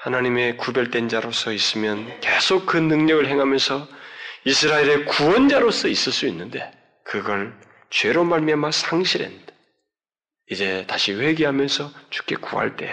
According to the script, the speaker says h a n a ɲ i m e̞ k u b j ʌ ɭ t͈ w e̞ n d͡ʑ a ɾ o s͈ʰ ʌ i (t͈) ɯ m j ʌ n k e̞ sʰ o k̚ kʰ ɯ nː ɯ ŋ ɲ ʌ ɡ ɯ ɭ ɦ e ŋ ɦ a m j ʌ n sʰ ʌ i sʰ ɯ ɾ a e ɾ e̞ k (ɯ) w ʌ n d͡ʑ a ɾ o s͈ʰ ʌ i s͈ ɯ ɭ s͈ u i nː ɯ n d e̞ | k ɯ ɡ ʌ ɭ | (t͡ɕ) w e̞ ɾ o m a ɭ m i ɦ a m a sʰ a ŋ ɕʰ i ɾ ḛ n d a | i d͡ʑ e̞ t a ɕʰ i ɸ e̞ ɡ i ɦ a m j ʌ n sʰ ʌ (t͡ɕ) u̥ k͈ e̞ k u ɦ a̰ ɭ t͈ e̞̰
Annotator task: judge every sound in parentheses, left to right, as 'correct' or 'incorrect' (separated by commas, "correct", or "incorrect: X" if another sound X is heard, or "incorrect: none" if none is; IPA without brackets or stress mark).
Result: incorrect: s͈, incorrect: u, correct, correct